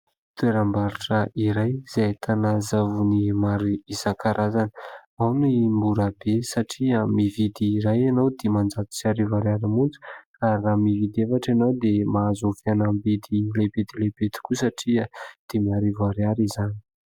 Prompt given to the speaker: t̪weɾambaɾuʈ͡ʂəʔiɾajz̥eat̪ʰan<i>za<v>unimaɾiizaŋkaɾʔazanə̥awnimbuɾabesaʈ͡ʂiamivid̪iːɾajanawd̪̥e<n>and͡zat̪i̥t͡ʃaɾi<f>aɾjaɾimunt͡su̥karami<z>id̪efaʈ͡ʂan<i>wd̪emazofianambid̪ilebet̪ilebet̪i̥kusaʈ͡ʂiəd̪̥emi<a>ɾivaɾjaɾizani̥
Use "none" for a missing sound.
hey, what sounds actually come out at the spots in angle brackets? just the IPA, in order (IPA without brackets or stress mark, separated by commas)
a, v, m, v, v, a, a